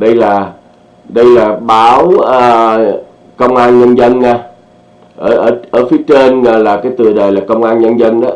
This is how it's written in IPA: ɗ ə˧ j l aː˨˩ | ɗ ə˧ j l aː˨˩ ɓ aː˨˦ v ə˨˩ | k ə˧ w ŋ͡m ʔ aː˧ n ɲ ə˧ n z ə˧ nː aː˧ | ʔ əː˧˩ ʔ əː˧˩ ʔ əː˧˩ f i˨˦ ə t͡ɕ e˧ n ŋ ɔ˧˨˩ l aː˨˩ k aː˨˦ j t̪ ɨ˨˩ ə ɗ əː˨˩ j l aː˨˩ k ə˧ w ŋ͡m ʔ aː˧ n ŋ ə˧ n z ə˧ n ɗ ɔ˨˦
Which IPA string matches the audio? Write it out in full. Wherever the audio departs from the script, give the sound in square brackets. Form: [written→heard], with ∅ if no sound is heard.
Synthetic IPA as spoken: ɗ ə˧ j l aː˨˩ | ɗ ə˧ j l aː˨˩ ɓ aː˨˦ [v→w] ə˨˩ | k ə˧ w ŋ͡m ʔ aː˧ n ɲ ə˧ n z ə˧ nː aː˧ | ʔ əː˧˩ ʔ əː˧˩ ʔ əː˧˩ f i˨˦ ə t͡ɕ e˧ n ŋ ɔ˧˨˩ l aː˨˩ k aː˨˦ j t̪ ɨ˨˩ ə ɗ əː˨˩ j l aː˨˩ k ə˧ w ŋ͡m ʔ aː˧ n [ŋ→ɲ] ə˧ n z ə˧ n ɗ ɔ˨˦